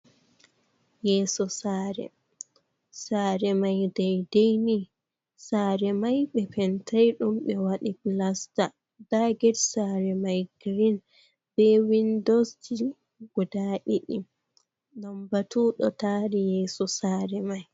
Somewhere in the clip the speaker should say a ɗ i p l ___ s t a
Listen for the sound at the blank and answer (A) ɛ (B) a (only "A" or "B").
B